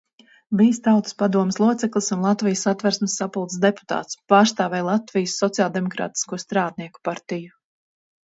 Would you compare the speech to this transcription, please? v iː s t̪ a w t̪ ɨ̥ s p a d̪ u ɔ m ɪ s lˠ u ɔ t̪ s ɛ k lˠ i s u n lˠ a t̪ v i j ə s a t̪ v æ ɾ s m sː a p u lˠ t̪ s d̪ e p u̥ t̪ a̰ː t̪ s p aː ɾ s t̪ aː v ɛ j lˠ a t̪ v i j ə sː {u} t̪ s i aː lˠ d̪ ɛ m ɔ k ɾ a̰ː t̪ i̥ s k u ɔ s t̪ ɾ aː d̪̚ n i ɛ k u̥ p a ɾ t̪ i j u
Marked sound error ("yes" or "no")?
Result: yes